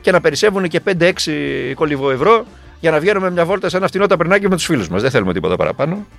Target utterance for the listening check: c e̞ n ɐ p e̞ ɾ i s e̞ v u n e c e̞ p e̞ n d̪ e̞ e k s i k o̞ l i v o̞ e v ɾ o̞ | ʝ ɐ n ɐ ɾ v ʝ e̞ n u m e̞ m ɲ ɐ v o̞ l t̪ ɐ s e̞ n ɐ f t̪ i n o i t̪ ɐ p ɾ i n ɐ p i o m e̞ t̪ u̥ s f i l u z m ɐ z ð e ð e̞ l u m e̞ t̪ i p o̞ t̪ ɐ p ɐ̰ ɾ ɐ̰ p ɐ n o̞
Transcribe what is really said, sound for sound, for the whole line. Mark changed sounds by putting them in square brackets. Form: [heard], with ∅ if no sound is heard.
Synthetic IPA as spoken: c e̞ n ɐ p e̞ ɾ i s e̞ v u n e c e̞ p e̞ n d̪ e̞ e k s i k o̞ l i v o̞ e v ɾ o̞ | ʝ ɐ n ɐ [∅] v ʝ e̞ n u m e̞ m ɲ ɐ v o̞ l t̪ ɐ s e̞ n ɐ f t̪ i n o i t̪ ɐ p ɾ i n ɐ [c] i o m e̞ t̪ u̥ s f i l u z m ɐ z ð e [θ] e̞ l u m e̞ t̪ i p o̞ t̪ ɐ p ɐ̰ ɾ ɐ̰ p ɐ n o̞